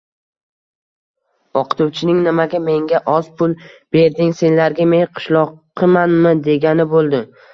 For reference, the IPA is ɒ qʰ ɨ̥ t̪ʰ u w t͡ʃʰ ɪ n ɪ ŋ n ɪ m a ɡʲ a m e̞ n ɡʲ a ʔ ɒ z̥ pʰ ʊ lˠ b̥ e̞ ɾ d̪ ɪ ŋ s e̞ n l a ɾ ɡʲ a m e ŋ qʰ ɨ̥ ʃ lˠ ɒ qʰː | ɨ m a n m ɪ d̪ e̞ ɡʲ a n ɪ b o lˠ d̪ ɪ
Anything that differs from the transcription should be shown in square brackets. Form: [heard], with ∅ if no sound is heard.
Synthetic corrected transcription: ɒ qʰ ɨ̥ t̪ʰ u w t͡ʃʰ ɪ n ɪ ŋ n ɪ m a ɡʲ a m e̞ [ŋ] ɡʲ a ʔ ɒ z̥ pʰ ʊ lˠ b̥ e̞ ɾ d̪ ɪ ŋ s e̞ n l a ɾ ɡʲ a m e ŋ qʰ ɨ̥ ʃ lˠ ɒ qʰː | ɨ m a n m ɪ d̪ e̞ ɡʲ a n ɪ b o lˠ d̪ ɪ